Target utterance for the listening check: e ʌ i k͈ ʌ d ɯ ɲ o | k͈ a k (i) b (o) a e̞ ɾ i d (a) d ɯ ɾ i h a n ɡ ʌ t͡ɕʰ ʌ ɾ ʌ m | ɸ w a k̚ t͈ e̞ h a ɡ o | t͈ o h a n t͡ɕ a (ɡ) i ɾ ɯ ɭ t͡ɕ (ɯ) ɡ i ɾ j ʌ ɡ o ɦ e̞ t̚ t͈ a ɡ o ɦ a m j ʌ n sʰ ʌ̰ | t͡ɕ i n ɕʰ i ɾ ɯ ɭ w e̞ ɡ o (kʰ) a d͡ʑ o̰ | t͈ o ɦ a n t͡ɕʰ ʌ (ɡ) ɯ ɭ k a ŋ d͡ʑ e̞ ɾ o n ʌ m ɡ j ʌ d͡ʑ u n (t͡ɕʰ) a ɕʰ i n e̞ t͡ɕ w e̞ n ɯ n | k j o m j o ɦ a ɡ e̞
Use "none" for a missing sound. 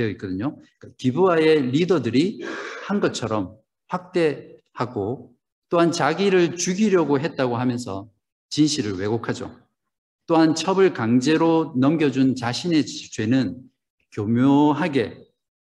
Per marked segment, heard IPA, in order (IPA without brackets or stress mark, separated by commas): i, u, ʌ, ɡ, u, kʰ, b, t͡ɕ